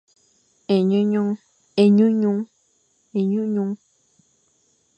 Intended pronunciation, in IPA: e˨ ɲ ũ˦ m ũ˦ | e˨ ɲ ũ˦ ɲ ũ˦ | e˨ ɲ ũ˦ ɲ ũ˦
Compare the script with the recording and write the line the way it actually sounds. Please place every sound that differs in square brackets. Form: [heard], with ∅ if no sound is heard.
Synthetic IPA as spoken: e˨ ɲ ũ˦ [ɲ] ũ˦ | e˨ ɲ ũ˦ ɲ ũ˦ | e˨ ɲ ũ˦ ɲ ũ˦